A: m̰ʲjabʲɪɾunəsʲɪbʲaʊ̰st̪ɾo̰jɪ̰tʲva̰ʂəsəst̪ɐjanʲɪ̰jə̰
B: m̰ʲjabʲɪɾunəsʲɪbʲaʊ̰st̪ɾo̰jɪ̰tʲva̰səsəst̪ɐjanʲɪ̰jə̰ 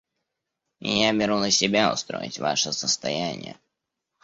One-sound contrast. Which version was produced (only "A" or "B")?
A